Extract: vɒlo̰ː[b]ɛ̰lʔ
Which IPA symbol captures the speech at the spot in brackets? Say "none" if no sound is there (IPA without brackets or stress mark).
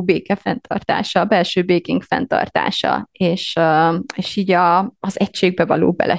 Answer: b